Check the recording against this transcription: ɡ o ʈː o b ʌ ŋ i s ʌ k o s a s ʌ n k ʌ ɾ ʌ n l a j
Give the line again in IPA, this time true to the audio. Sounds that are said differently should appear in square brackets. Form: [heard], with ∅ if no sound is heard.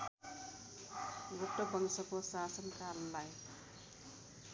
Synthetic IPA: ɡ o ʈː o b ʌ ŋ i s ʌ k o s a s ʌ n k [a] ɾ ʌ n l a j